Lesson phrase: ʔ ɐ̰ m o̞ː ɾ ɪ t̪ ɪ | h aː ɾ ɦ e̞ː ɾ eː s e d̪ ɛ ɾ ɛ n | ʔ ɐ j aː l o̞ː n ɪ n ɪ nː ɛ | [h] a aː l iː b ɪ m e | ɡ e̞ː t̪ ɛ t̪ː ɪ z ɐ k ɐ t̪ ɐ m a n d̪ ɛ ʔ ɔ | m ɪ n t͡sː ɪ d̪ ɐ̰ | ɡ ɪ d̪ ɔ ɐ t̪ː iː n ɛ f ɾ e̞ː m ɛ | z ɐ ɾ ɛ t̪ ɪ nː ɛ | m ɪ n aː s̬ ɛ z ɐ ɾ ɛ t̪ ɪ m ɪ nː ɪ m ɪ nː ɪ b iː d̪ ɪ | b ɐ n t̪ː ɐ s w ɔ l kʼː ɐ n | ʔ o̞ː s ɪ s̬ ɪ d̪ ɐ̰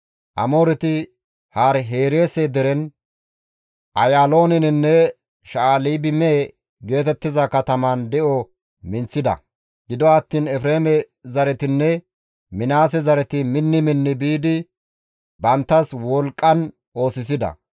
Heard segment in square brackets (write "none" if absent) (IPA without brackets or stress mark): ʃ